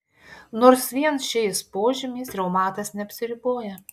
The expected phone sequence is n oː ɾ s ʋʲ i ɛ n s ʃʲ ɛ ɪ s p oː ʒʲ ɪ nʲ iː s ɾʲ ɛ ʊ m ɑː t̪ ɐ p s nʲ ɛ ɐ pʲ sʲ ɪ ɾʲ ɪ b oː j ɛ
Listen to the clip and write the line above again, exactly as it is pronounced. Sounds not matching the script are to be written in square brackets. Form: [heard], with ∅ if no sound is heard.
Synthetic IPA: n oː ɾ s ʋʲ i ɛ n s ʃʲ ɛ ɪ s p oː ʒʲ ɪ [mʲ] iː s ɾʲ ɛ ʊ m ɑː t̪ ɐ [∅] s nʲ ɛ ɐ pʲ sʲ ɪ ɾʲ ɪ b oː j ɛ